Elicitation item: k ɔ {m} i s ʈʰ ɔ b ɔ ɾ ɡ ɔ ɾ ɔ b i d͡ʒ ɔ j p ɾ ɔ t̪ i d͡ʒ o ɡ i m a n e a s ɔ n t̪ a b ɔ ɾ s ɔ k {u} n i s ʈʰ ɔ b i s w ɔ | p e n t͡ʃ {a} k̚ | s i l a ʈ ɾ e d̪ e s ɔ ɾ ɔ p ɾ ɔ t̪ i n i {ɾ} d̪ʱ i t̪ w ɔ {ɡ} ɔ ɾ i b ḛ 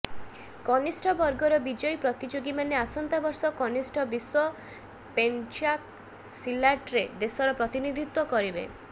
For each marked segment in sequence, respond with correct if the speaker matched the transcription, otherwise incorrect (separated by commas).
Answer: incorrect, incorrect, correct, incorrect, incorrect